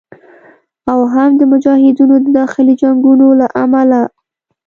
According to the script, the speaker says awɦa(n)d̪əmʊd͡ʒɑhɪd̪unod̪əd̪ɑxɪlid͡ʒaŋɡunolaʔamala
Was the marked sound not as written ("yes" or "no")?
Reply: yes